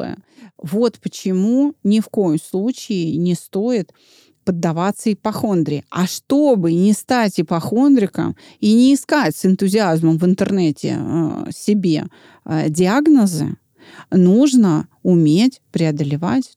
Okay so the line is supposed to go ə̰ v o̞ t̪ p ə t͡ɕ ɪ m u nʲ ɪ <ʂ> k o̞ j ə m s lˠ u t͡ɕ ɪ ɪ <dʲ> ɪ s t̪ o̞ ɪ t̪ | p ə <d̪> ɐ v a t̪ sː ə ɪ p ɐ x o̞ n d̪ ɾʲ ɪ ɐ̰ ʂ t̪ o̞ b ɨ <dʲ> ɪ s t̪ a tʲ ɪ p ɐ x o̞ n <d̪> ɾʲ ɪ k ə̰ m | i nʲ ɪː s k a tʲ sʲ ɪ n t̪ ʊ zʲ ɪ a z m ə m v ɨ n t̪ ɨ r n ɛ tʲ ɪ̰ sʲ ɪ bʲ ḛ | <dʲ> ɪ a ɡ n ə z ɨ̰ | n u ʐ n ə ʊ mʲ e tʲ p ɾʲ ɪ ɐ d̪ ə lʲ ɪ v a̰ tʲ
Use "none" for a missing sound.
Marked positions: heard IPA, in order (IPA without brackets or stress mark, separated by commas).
f, nʲ, d̪ː, nʲ, d̪, dʲ